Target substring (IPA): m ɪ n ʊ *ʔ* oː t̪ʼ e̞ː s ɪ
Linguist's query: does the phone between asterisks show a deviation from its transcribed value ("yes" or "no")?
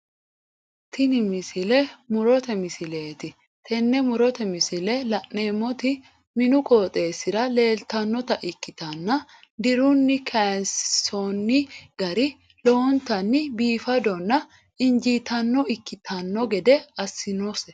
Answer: yes